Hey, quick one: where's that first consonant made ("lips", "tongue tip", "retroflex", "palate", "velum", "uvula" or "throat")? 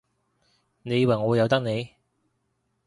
tongue tip